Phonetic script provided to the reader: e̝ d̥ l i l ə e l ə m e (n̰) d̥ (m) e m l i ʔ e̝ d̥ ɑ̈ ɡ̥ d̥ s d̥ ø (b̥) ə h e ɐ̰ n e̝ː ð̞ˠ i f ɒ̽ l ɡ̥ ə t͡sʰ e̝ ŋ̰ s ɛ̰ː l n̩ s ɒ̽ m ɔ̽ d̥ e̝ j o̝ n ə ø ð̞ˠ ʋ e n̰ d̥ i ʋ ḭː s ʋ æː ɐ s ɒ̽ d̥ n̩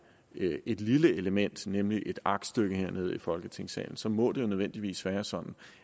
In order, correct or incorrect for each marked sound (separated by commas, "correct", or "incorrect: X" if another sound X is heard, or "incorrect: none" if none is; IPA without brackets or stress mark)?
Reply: correct, incorrect: n, incorrect: ɡ̥